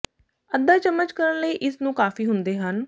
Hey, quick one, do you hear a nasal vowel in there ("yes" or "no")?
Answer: yes